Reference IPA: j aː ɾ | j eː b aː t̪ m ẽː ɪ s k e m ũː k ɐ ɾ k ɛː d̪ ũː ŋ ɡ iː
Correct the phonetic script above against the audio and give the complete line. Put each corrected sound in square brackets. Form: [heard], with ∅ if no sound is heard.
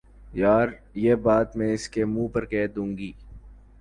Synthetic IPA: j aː ɾ | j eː b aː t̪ m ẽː ɪ s k e m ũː [p] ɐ ɾ k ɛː d̪ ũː ŋ ɡ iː